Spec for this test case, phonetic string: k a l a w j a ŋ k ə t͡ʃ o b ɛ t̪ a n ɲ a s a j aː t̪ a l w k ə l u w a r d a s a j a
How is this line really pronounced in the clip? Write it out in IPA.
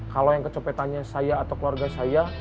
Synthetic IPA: k a l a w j a ŋ k ə t͡ʃ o p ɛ t̪ a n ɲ a s a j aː t̪ a w k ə l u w a r ɡ a s a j a